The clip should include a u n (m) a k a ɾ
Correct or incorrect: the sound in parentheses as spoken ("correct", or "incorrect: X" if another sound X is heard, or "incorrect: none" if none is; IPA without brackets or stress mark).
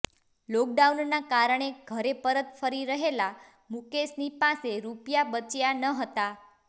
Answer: incorrect: n